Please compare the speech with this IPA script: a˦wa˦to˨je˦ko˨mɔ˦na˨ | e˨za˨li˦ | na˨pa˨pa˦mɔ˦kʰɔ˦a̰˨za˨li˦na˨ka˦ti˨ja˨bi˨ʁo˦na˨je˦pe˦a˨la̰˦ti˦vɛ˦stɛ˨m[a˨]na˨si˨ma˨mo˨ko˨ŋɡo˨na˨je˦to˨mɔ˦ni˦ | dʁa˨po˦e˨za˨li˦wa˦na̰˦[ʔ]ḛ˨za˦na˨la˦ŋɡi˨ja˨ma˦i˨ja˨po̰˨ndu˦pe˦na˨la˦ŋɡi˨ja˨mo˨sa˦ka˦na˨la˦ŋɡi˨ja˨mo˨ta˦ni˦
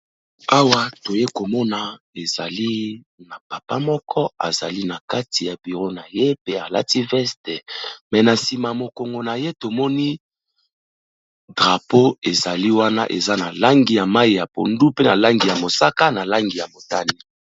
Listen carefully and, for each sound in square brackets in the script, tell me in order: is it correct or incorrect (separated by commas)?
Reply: incorrect, correct